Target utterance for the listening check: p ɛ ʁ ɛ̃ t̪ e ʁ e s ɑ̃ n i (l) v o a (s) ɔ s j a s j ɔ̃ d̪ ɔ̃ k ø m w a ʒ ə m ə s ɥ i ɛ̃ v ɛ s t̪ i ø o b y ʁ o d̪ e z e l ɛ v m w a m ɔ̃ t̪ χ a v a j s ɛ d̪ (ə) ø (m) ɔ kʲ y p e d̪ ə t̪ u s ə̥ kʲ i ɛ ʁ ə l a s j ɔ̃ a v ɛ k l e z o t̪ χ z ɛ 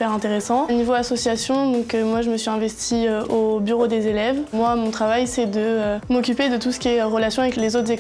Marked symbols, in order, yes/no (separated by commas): no, yes, yes, yes